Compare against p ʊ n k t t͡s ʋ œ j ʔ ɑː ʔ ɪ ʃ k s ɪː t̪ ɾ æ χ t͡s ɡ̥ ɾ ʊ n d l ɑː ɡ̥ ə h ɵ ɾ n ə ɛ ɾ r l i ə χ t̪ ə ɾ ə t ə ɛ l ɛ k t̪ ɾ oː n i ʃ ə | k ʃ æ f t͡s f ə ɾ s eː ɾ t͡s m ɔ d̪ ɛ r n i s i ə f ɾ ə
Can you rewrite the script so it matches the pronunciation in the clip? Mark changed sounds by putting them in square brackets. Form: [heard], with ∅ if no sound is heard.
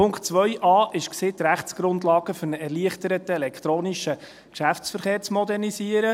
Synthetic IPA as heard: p ʊ [ŋ] k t t͡s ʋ œ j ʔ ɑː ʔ ɪ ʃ k s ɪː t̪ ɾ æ χ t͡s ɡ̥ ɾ ʊ n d l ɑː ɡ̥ ə [f] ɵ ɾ n ə ɛ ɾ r l i ə χ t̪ ə ɾ ə t ə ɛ l ɛ k t̪ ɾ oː n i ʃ ə | k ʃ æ f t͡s f ə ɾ [χ] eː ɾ t͡s m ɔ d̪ ɛ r n i s i ə [∅] ɾ ə